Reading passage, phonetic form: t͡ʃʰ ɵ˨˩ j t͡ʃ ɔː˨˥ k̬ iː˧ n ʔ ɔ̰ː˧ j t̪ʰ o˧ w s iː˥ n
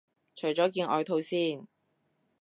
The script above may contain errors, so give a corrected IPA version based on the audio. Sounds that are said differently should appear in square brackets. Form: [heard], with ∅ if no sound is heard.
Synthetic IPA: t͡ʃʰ ɵ˨˩ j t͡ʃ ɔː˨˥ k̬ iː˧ n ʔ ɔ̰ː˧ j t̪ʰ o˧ w s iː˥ n